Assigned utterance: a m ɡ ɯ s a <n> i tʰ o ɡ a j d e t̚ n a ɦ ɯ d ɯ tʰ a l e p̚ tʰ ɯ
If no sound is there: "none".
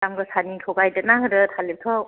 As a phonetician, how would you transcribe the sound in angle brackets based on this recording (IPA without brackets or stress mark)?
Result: n